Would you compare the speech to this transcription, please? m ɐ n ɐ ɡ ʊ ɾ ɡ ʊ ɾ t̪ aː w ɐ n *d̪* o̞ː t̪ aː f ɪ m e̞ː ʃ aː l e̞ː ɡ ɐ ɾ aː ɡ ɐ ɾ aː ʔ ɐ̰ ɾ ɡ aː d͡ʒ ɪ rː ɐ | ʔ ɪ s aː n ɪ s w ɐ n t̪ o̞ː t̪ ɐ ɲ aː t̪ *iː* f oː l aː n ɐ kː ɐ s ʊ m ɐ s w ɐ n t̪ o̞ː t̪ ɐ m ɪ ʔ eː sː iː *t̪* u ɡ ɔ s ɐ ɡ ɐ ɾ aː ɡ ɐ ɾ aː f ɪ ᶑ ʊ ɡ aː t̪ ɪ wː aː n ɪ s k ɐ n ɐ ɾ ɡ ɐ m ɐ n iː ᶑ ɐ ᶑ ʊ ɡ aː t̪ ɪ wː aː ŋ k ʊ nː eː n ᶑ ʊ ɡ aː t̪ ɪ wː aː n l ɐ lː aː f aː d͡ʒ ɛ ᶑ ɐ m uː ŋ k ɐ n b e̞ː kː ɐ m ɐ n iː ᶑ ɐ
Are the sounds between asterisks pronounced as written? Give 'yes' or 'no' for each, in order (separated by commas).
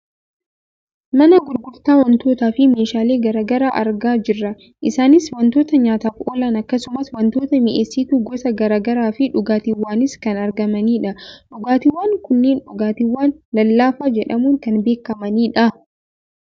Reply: no, no, yes